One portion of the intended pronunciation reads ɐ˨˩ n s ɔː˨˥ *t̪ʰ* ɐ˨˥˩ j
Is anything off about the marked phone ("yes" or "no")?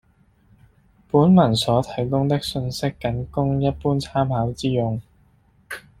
no